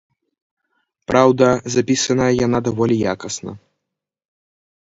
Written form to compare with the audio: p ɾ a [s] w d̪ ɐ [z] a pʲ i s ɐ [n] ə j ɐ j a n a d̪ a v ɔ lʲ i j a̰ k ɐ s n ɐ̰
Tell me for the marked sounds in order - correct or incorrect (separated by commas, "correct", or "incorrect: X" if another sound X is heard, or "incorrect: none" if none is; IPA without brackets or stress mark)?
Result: incorrect: none, correct, correct